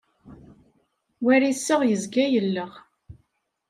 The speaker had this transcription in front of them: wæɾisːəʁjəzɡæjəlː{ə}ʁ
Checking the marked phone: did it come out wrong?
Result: no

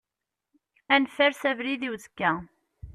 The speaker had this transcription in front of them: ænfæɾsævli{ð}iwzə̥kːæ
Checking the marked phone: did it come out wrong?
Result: no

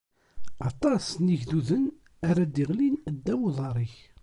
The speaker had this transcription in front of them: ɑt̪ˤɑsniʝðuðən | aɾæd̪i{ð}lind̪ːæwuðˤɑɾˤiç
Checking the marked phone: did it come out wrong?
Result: yes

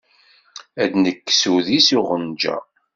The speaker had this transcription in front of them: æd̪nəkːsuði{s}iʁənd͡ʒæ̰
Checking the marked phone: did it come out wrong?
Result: no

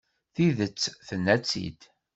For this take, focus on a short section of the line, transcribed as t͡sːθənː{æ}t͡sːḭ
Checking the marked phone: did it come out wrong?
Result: no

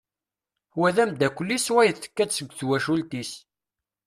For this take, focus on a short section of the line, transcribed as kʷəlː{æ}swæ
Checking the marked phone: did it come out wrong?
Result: yes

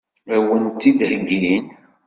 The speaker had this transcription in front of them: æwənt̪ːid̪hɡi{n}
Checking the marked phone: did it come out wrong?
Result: no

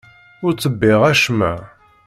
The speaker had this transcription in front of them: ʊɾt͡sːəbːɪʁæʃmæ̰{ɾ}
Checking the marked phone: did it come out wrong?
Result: yes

